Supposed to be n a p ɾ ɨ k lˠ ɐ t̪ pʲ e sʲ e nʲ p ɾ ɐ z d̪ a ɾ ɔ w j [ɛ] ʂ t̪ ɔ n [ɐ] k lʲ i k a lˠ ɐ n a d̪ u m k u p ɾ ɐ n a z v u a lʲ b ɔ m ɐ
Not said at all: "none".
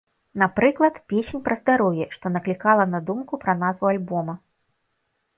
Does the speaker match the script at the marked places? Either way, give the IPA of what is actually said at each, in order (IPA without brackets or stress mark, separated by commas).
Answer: ɛ, ɐ